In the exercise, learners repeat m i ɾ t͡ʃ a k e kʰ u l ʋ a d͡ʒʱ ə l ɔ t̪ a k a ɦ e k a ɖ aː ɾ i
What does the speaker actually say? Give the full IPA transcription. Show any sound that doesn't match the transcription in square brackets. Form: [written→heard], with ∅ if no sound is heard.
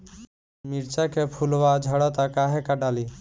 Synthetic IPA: m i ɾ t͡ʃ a k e [kʰ→pʰ] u l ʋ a d͡ʒʱ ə [l→ɽ] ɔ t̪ a k a ɦ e k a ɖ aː [ɾ→l] i